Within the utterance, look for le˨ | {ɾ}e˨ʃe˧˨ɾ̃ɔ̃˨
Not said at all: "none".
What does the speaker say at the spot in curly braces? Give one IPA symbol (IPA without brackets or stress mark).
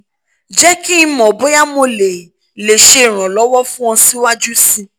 l